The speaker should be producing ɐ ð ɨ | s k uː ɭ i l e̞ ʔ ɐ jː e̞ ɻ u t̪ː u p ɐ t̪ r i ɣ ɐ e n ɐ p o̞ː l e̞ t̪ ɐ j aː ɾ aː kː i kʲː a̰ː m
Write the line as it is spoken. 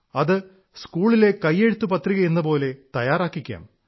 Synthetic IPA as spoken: ɐ ð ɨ | s k uː ɭ i l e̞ k ɐ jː e̞ ɻ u t̪ː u p ɐ t̪ r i ɣ ɐ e nː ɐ p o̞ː l e̞ t̪ ɐ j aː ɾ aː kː i kʲː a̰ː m

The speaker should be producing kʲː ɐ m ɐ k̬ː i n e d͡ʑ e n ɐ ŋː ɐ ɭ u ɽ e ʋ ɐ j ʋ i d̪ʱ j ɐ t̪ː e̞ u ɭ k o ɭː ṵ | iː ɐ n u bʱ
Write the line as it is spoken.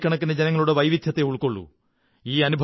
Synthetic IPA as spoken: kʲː ɐ ɳ ɐ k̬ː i n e d͡ʑ e n ɐ ŋː ɐ ɭ u ɽ e ʋ ɐ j ʋ i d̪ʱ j ɐ t̪ː e̞ u ɭ k o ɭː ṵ | iː ɐ n u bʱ

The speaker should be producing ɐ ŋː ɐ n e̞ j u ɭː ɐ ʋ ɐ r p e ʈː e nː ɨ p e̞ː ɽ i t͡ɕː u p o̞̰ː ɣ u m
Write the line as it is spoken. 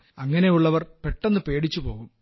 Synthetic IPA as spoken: ɐ ŋː ɐ n e̞ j u ɭː ɐ ʋ ɐ r p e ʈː e nː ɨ p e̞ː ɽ i t͡ɕː u p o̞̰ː ɣ u m

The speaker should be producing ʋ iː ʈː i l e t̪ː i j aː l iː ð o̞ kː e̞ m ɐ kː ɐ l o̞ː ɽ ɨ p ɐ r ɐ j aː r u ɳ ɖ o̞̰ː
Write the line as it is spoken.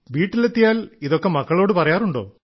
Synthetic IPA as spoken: ʋ iː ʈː i l e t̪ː i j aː l i ð o̞ kː e̞ m ɐ kː ɐ ɭ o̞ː ɽ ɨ p ɐ r ɐ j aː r u ɳ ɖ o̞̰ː

